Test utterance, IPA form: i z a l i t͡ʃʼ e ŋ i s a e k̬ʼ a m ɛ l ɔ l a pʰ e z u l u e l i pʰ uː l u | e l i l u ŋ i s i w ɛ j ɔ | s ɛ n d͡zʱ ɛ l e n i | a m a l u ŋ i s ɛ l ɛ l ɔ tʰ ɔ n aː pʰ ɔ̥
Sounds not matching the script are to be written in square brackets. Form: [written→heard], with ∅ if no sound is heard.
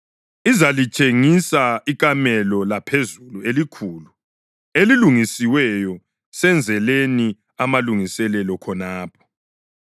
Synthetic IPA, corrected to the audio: i z a l i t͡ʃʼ e ŋ i s a [e→i] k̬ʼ a m ɛ l ɔ l a pʰ e z u l u e l i [pʰ→kʰ] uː l u | e l i l u ŋ i s i w ɛ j ɔ | s ɛ n d͡zʱ ɛ l e n i | a m a l u ŋ i s ɛ l ɛ l ɔ [tʰ→kʰ] ɔ n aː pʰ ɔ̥

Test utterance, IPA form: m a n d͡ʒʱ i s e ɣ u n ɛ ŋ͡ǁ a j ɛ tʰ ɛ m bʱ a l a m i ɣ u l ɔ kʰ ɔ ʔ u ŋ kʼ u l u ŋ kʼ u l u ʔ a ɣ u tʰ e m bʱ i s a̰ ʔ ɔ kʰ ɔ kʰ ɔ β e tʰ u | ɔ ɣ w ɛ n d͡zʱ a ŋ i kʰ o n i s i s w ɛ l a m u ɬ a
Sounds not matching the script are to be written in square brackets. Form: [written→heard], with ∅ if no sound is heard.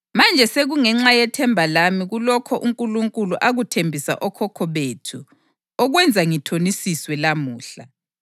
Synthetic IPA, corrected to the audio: m a n d͡ʒʱ [i→ɛ] s e ɣ u [n→ŋ] ɛ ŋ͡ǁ a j ɛ tʰ ɛ m bʱ a l a m i ɣ u l ɔ kʰ ɔ ʔ u ŋ kʼ u l u ŋ kʼ u l u ʔ a ɣ u tʰ e m bʱ i s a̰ ʔ ɔ kʰ ɔ kʰ ɔ β e tʰ u | ɔ ɣ w ɛ n d͡zʱ a ŋ i [kʰ→tʰ] o n i s i s w ɛ l a m [u→uː] ɬ a

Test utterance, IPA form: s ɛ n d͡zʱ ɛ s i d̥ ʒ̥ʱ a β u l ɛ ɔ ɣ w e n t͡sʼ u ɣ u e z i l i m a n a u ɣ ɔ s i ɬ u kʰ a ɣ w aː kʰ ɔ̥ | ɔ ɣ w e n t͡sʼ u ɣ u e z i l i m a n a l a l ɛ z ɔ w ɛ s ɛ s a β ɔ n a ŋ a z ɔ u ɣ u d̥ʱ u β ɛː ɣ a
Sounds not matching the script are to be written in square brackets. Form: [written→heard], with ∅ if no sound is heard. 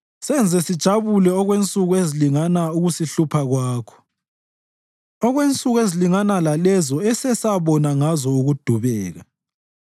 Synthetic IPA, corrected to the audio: s ɛ n d͡zʱ ɛ s i d̥ ʒ̥ʱ a β u l ɛ ɔ ɣ w e n t͡sʼ u ɣ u e z i l i [m→ŋ] a n a u ɣ [ɔ→u] s i ɬ u [kʰ→pʰ] a ɣ w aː kʰ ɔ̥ | ɔ ɣ w e n t͡sʼ u ɣ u e z i l i [m→ŋ] a n a l a l ɛ z ɔ [w→∅] ɛ s ɛ s a β ɔ n a ŋ a z ɔ u ɣ u d̥ʱ u β ɛː ɣ a

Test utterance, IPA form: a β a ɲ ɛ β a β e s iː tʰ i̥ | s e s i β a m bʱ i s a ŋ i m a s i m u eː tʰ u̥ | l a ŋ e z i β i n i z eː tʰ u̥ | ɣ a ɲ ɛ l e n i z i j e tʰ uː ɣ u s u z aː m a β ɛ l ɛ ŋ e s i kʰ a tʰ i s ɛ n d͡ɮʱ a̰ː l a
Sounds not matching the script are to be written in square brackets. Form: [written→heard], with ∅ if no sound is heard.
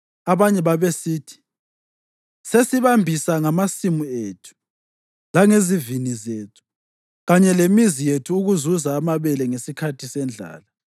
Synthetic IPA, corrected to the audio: a β a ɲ ɛ β a β e s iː tʰ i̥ | s e s i β a m bʱ i s a ŋ [i→a] m a s i m u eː tʰ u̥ | l a ŋ e z i [β→v] i n i z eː tʰ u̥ | ɣ a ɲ ɛ l e [n→m] i z i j e tʰ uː ɣ u [s→z] u z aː m a β ɛ l ɛ ŋ e s i kʰ a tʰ i s ɛ n d͡ɮʱ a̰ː l a

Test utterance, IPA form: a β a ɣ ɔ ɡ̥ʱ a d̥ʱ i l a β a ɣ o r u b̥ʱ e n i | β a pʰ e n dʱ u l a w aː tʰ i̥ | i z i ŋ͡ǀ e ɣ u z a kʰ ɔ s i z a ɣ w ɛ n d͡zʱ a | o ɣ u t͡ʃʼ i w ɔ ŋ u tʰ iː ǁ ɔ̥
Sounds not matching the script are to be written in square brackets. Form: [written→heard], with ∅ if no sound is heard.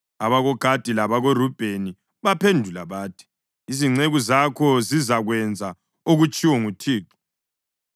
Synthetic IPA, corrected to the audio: a β a ɣ ɔ ɡ̥ʱ a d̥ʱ i l a β a ɣ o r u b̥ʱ e n i | β a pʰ e n dʱ u l a [w→β] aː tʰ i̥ | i z i ŋ͡ǀ e ɣ u z a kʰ ɔ [s→z] i z a ɣ w ɛ n d͡zʱ a | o ɣ u t͡ʃʼ i w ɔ ŋ u tʰ iː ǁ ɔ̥

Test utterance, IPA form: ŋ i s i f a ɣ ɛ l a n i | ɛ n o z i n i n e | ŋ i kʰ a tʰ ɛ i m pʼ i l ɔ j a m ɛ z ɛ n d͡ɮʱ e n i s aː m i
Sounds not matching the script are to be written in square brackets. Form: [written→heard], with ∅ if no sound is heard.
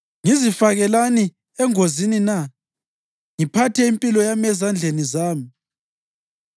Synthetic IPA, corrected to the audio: ŋ i [s→z] i f a ɣ ɛ l a n i | ɛ [n→ŋ] o z i n i n [e→a] | ŋ i [kʰ→pʰ] a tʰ ɛ i m pʼ i l ɔ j a m ɛ z [ɛ→a] n d͡ɮʱ e n i [s→z] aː m i

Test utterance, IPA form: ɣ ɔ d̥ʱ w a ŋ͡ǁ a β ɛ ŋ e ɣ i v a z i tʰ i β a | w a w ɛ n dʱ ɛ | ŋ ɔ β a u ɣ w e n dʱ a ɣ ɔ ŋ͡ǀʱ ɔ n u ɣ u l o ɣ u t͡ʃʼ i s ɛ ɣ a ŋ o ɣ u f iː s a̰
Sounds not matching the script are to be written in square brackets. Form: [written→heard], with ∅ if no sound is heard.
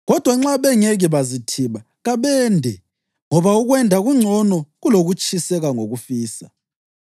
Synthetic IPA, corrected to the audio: ɣ ɔ d̥ʱ w a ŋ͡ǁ a β ɛ ŋ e ɣ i [v→β] a z i tʰ i β a | [w→ɣ] a [w→β] ɛ n dʱ ɛ | ŋ ɔ β a u ɣ w [e→ɛ] n dʱ a ɣ [ɔ→u] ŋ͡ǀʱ ɔ n [u→ɔ] ɣ u l o ɣ u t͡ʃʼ i s ɛ ɣ a ŋ o ɣ u f iː s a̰

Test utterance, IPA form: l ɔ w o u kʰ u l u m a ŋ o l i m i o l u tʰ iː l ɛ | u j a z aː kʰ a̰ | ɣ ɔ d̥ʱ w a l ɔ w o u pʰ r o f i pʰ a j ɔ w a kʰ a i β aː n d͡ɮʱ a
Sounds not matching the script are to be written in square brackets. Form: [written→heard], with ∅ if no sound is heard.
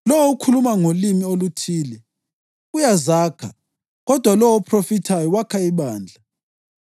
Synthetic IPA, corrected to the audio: l ɔ w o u kʰ u l u m a ŋ o l i m i o l u tʰ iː l ɛ | u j a z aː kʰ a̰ | ɣ ɔ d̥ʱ w a l ɔ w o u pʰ r o f i [pʰ→tʰ] a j ɔ w a kʰ a i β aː n d͡ɮʱ a

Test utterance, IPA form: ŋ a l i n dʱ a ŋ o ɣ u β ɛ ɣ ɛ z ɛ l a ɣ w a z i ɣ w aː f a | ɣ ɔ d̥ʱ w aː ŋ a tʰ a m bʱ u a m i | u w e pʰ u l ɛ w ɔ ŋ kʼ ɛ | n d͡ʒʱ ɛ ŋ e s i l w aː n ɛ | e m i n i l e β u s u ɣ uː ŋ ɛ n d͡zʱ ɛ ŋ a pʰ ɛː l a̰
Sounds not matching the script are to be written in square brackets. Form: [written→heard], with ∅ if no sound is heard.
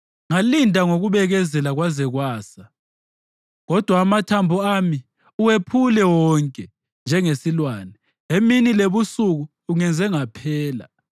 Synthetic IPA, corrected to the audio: ŋ a l i n dʱ a ŋ o ɣ u β ɛ ɣ ɛ z ɛ l a ɣ w a z [i→ɛ] ɣ w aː [f→s] a | ɣ ɔ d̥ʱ w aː [ŋ→m] a tʰ a m bʱ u a m i | u w e pʰ u l ɛ w ɔ ŋ kʼ ɛ | n d͡ʒʱ ɛ ŋ e s i l w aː n ɛ | e m i n i l e β u s u ɣ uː ŋ ɛ n d͡zʱ ɛ ŋ a pʰ ɛː l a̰

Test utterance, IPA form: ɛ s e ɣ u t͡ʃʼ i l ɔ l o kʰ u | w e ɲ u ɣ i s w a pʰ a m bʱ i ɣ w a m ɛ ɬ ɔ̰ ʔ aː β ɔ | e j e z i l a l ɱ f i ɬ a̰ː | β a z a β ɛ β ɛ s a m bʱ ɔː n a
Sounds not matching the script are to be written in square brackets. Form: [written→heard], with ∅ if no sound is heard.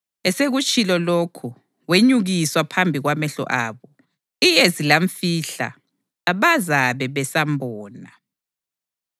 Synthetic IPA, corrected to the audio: ɛ s e ɣ u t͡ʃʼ i l ɔ l o kʰ u | w e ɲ u ɣ i s w a pʰ a m bʱ i ɣ w a m ɛ ɬ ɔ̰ ʔ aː β ɔ | [e→i] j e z i l a [l→∅] ɱ f i ɬ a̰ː | β a z a β ɛ β ɛ s a m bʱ ɔː n a

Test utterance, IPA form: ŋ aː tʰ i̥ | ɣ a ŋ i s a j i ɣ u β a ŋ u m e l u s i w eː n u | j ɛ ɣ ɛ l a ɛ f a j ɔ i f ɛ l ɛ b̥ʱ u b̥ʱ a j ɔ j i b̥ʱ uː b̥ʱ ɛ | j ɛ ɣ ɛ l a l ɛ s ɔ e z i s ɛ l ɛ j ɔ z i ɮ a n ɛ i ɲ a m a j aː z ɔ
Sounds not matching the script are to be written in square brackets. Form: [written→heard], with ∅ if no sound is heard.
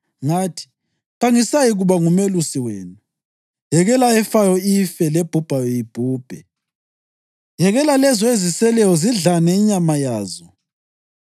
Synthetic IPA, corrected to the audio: ŋ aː tʰ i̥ | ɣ a ŋ i s a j i ɣ u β a ŋ u m e l u s i w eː n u | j ɛ ɣ ɛ l a ɛ f a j ɔ i f ɛ l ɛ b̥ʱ u b̥ʱ a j ɔ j i b̥ʱ uː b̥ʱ ɛ | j ɛ ɣ ɛ l a l ɛ [s→z] ɔ e z i s ɛ l ɛ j ɔ z i ɮ a n ɛ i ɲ a m a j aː z ɔ

